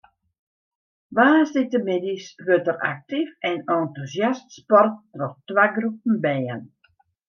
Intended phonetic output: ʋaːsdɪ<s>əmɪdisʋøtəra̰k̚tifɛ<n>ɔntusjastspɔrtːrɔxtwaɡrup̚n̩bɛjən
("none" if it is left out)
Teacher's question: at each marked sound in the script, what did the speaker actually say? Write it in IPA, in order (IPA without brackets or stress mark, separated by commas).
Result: t, n